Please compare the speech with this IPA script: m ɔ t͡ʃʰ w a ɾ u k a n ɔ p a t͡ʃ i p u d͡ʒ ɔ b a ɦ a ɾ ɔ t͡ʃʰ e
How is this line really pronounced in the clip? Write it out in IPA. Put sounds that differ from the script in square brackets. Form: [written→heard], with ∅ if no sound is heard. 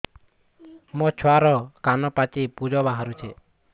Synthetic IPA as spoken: m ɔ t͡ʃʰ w a ɾ [u→ɔ] k a n ɔ p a t͡ʃ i p u d͡ʒ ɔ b a ɦ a ɾ [ɔ→u] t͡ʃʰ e